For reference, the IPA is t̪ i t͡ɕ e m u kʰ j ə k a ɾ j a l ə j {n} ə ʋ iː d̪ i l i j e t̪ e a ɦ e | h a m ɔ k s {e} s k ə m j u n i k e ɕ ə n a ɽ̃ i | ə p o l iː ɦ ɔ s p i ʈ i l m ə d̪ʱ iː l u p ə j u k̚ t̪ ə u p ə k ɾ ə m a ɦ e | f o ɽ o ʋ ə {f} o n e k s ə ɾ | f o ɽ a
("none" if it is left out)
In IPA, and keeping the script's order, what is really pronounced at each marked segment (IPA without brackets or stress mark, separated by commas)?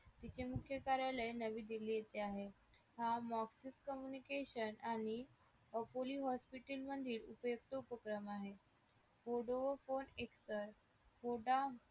n, i, f